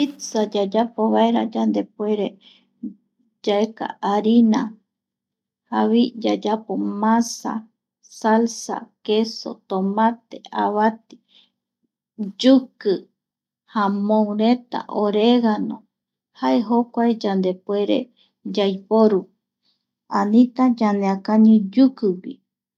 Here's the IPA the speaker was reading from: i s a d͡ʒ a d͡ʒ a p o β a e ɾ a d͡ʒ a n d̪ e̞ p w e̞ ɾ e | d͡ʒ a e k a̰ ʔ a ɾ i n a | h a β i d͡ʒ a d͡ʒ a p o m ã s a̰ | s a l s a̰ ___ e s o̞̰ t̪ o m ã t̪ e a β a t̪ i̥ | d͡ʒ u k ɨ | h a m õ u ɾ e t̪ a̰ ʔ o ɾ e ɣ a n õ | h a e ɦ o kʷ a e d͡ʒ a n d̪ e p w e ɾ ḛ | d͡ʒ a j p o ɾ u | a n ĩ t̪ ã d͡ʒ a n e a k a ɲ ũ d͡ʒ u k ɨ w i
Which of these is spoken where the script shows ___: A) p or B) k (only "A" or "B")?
B